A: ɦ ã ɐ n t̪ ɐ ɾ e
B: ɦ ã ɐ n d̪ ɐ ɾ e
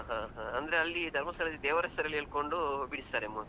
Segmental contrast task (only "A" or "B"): B